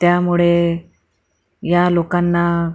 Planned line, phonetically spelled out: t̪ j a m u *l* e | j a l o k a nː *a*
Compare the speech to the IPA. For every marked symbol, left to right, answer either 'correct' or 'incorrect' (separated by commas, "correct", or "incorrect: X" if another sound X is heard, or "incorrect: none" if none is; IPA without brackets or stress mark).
incorrect: ɭ, correct